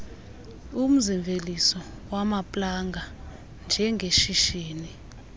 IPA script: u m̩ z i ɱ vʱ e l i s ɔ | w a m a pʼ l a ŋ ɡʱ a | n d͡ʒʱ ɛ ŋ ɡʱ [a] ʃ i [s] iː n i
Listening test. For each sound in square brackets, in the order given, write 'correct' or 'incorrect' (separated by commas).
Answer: incorrect, incorrect